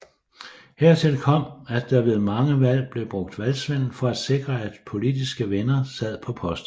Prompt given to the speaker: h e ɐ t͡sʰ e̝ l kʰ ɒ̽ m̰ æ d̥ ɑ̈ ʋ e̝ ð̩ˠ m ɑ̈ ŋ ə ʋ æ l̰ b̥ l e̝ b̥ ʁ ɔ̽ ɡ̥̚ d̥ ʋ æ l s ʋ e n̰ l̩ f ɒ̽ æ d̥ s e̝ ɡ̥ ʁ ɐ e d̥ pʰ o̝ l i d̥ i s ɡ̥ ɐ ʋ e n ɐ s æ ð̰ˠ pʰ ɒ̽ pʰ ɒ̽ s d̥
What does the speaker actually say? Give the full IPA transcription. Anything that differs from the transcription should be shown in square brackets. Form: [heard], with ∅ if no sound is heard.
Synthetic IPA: h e ɐ t͡sʰ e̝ l kʰ ɒ̽ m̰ æ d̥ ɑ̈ ʋ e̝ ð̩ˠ m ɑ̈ ŋ ə ʋ æ l̰ b̥ l e̝ b̥ ʁ ɔ̽ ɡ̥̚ d̥ ʋ æ l s ʋ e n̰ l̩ f ɒ̽ æ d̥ s e̝ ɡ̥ ʁ ɐ [æ] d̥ pʰ o̝ l i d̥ i s ɡ̥ [ə] ʋ e n ɐ s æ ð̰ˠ pʰ ɒ̽ pʰ ɒ̽ s d̥